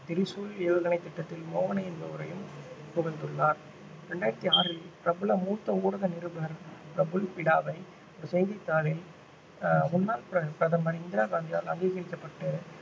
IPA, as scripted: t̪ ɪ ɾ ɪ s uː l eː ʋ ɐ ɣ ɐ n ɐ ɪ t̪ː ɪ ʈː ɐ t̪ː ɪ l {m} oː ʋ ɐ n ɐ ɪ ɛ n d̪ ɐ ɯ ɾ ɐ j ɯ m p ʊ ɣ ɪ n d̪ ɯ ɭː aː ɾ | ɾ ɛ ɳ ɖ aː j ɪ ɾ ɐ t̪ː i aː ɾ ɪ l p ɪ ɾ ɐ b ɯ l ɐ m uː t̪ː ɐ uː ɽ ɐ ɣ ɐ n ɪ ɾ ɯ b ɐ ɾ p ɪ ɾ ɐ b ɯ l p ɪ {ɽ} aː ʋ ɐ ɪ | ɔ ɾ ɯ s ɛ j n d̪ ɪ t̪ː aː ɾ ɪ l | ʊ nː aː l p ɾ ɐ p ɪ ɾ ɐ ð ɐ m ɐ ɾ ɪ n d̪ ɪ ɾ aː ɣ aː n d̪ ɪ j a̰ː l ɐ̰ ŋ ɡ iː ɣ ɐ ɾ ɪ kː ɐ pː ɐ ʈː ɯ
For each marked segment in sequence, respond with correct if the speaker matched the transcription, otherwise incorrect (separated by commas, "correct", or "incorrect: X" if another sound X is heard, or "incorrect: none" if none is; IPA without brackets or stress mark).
correct, correct